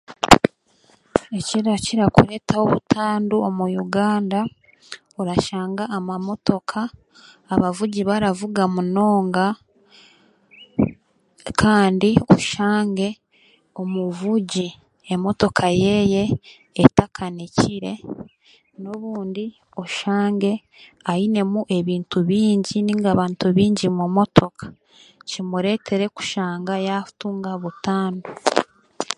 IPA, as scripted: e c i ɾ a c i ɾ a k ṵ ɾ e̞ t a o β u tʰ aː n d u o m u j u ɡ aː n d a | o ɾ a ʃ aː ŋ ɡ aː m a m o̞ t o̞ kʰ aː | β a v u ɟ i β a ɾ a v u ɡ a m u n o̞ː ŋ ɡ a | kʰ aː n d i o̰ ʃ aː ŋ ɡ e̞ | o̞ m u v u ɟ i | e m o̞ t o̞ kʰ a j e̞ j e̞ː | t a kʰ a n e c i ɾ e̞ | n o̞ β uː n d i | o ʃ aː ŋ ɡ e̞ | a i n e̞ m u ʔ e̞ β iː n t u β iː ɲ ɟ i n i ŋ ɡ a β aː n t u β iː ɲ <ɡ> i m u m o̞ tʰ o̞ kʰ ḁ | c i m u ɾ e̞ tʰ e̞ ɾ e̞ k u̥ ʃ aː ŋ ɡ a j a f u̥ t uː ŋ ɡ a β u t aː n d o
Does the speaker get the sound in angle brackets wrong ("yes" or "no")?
yes